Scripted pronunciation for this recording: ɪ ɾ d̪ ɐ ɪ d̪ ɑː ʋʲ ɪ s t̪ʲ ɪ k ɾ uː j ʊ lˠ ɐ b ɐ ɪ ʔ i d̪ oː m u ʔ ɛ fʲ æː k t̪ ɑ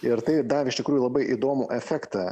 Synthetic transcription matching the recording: ɪ ɾ t̪ ɐ ɪ d̪ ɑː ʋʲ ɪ ʃ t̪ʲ ɪ k ɾ uː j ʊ lˠ ɐ b ɐ ɪ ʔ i d̪ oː m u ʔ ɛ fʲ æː k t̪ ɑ